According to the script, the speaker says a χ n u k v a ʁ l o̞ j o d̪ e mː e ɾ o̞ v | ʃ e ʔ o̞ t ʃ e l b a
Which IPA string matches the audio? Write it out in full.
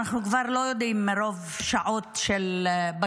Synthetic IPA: a χ n u k v a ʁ l o̞ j o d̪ i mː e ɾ o̞ v | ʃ a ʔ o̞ t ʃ e l b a

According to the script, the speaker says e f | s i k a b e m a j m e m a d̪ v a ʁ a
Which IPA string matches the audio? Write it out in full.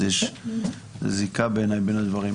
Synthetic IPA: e ʃ | z i k a b e n a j b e n a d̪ v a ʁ i

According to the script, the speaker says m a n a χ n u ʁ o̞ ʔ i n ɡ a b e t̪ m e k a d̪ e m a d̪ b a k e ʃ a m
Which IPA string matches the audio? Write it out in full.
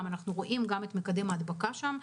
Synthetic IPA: m a n a χ n u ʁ o̞ ʔ i m ɡ a m e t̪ m e k a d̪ e m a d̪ b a k a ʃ a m

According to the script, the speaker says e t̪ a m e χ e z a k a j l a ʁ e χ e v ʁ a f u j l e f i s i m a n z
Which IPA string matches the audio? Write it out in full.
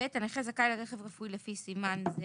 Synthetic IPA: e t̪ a n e χ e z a k a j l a ʁ e χ e v ʁ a f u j l e f i s i m a n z

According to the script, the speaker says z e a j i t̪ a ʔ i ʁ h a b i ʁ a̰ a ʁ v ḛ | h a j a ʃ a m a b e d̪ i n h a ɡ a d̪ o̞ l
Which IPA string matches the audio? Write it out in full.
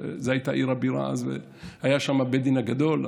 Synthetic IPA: z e a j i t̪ a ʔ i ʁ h a b i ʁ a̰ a z v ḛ | h a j a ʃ a m a b e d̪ i n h a ɡ a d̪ o̞ l

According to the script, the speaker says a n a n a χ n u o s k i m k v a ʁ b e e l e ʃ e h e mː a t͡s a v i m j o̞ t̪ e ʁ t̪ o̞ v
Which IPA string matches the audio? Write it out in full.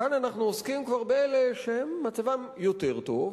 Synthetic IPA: a n a n a χ n u o s k i m k v a ʁ b e e l e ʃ e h e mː a t͡s a v a m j o̞ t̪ e ʁ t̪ o̞ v

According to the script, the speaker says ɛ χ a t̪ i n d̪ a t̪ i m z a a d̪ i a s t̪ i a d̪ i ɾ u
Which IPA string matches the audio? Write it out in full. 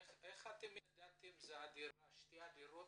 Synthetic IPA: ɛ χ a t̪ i m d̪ a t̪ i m z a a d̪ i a ʃ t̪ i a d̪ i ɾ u

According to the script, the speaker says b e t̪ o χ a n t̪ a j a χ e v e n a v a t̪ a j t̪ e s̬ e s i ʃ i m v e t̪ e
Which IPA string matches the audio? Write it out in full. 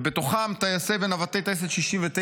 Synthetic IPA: b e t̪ o χ a m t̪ a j a s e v e n a v a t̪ e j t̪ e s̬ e ʃ i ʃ i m v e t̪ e

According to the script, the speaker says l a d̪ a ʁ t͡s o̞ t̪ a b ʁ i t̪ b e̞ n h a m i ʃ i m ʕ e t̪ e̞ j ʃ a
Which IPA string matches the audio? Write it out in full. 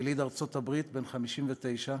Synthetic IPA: l i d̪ a ʁ t͡s o̞ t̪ a b ʁ i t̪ b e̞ n χ a m i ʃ i m v e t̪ e̞ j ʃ a

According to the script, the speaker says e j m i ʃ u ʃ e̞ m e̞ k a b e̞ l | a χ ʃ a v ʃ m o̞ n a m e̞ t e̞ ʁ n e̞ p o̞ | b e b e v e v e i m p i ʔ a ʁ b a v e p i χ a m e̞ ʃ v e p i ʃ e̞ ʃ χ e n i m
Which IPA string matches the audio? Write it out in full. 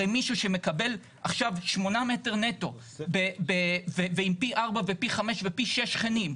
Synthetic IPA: e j m i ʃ u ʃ e̞ m e̞ k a b e̞ l | a χ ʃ a v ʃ m o̞ n a m e̞ t e̞ ʁ n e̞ t o̞ | b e b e v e v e i m p i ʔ a ʁ b a v e p i χ a m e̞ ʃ v e p i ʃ e̞ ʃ χ e n i m

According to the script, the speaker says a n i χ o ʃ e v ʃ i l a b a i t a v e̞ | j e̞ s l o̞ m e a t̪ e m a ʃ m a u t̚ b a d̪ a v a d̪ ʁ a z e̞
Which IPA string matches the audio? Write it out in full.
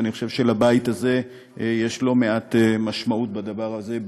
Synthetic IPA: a n i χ o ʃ e v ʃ e l a b a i t a z e̞ | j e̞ ʃ l o̞ m e a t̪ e m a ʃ m a u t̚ b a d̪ a v a ʁ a z e̞

